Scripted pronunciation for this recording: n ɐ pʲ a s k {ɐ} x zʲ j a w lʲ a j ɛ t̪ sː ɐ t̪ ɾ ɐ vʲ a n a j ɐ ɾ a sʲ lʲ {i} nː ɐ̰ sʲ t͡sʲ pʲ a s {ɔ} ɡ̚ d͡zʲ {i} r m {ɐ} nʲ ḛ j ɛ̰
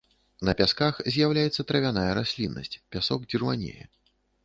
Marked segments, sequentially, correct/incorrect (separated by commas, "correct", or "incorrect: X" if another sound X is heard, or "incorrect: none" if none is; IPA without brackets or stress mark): incorrect: a, correct, correct, correct, incorrect: a